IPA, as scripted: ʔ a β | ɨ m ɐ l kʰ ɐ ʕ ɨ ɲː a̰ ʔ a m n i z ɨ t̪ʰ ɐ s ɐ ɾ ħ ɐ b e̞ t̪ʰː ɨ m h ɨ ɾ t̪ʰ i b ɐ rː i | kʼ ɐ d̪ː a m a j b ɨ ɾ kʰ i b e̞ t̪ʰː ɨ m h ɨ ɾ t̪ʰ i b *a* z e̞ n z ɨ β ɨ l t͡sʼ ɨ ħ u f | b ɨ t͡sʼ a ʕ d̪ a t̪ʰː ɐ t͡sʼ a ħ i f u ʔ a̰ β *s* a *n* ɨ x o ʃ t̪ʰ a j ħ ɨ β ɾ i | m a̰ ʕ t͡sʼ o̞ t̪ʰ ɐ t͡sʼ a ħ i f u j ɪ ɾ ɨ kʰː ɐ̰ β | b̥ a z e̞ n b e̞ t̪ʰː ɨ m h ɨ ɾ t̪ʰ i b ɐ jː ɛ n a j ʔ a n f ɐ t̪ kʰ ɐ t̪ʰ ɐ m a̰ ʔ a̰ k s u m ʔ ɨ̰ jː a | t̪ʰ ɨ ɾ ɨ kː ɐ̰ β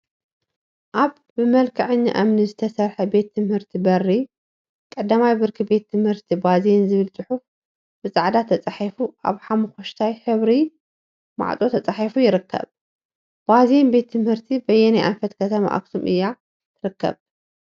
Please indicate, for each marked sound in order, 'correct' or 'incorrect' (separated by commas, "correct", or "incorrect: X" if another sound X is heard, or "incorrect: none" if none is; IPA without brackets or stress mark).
correct, incorrect: ħ, incorrect: m